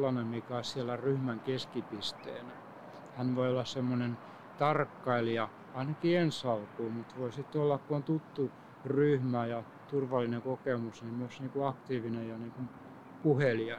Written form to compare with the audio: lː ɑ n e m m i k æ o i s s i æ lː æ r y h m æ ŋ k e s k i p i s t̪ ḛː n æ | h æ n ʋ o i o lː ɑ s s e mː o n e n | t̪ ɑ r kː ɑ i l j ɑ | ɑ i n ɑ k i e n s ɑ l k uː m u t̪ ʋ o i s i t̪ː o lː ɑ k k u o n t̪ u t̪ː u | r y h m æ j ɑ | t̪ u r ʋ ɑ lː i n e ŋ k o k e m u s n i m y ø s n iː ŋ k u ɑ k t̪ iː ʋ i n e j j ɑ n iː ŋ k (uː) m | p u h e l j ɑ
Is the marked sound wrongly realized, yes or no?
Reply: yes